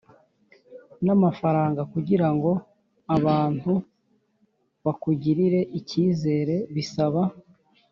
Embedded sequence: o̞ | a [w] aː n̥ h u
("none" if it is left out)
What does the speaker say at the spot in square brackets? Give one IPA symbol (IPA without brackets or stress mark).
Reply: β